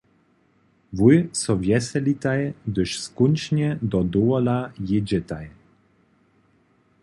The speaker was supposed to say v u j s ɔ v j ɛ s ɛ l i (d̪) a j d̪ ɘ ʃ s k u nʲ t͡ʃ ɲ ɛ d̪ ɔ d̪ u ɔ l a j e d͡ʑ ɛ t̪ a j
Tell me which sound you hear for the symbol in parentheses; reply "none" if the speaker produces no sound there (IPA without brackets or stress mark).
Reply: t̪